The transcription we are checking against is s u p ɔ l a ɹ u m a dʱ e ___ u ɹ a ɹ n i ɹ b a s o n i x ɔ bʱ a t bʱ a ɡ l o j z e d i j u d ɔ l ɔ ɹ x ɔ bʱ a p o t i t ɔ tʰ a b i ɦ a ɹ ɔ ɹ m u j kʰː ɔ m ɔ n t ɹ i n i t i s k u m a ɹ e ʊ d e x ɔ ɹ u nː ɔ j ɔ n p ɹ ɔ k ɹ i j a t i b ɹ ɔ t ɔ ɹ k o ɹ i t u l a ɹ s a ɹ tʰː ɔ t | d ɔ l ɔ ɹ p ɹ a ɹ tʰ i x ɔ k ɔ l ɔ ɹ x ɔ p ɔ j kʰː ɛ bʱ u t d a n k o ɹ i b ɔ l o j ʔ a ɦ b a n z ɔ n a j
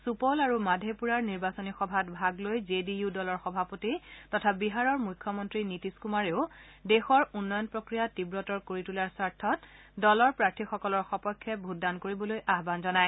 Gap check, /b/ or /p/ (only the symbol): p